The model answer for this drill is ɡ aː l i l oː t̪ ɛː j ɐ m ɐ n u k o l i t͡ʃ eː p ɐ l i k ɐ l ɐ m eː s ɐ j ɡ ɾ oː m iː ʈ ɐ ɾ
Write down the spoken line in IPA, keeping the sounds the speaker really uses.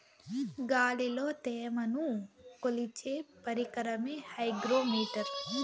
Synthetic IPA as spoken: ɡ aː l i l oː t̪ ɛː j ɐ m ɐ n u k o l i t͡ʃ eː p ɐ ɾ i k ɐ ɾ ɐ m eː h ɐ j ɡ ɾ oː m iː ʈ ɐ ɾ